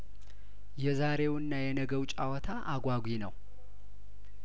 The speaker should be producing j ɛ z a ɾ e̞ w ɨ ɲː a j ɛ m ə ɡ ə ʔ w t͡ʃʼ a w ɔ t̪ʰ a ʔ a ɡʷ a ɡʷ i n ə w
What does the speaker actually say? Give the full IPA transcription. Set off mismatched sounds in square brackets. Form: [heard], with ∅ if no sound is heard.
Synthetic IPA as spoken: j ɛ z a ɾ e̞ w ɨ [nː] a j ɛ [n] ə ɡ ə [∅] w t͡ʃʼ a w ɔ t̪ʰ a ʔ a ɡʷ a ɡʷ i n ə w